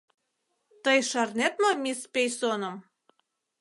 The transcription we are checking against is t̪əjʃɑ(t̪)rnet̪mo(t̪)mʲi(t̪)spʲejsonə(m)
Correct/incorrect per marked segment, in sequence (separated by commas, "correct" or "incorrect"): incorrect, incorrect, incorrect, correct